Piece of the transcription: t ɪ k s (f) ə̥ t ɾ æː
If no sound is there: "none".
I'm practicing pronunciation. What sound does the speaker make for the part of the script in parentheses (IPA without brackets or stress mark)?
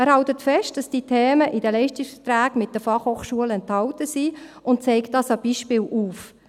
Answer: f